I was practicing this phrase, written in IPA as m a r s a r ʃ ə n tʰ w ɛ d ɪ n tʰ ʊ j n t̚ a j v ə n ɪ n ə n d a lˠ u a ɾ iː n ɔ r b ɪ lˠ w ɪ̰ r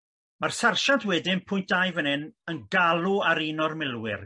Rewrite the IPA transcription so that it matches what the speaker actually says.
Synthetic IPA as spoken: m a r s a r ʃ a n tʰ w ɛ d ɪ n pʰ ʊ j n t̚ a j v ə n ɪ n ə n ɡ a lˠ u a ɾ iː n ɔ r m ɪ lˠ w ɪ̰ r